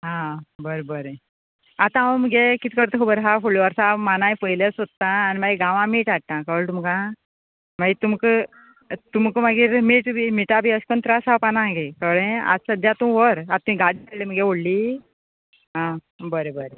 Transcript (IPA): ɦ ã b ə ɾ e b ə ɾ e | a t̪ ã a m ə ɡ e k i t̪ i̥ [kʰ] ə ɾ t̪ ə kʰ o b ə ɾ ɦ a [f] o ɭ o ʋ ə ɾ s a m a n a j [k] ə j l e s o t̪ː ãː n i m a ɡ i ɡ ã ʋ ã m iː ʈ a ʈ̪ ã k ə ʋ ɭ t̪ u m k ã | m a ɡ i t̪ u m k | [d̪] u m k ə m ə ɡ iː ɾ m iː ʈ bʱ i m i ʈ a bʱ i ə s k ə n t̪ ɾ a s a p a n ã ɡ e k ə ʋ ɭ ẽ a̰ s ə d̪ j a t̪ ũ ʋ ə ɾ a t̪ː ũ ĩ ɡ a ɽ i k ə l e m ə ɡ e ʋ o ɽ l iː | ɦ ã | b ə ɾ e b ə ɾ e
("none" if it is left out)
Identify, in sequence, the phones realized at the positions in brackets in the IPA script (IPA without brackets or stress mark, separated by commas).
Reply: k, f, p, t̪